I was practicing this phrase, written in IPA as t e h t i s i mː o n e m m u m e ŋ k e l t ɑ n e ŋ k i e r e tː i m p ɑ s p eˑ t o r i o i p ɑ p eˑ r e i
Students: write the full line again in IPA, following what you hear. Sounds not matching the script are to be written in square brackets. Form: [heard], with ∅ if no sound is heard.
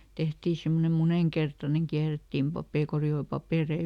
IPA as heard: t e h t [iː] s i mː o n e m m u [n] e ŋ k e [r] t ɑ n e ŋ k i [æ] r e tː [iː] m p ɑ [∅] p eˑ [k] o r i o i p ɑ p eˑ r e i